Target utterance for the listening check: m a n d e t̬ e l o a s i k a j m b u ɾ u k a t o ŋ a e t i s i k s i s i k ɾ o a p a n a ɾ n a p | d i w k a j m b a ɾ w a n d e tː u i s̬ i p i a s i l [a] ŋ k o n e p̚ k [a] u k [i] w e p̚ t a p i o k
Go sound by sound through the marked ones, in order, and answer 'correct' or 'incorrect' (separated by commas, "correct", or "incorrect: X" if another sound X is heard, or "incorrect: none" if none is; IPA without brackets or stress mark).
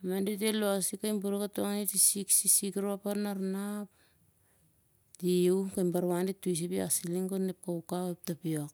incorrect: i, correct, incorrect: a